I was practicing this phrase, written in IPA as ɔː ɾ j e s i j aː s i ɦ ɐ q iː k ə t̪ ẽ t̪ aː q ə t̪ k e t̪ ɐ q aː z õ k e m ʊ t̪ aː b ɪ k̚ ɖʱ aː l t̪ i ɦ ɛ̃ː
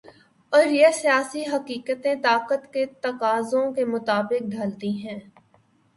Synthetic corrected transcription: ɔː ɾ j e s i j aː s i ɦ ɐ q iː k ə t̪ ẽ t̪ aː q ə t̪ k e t̪ ɐ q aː z õ k e m ʊ t̪ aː b ɪ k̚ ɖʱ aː l t̪ i ɦ ɛ̃ː